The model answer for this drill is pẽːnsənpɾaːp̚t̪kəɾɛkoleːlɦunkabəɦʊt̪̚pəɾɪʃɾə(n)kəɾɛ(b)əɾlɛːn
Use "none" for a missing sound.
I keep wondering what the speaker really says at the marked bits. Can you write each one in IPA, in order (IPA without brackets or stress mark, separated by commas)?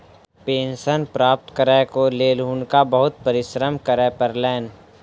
m, p